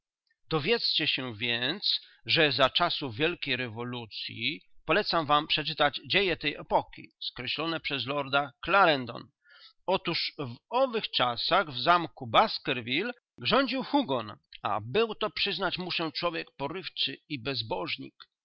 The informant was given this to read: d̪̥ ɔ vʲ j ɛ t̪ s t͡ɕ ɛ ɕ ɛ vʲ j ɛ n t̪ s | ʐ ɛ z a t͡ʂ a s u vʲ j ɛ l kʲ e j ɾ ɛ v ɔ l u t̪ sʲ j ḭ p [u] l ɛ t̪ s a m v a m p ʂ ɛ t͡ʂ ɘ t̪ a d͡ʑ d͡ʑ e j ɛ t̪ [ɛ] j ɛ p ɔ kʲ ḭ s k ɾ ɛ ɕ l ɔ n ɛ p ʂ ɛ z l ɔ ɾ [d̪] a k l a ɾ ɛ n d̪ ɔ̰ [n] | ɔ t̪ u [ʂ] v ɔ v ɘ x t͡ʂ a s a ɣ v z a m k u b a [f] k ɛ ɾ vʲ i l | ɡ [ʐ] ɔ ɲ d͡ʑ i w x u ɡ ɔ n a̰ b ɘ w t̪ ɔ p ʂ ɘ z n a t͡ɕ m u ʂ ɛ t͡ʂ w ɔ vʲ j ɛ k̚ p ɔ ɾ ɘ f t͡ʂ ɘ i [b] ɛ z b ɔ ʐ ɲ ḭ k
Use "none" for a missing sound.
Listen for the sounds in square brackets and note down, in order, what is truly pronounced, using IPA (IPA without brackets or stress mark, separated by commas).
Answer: ɔ, ɛ, d̪, n, ʂ, s, ʐ, b